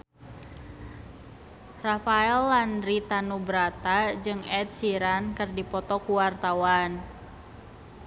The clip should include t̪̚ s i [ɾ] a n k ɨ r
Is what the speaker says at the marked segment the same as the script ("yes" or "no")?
yes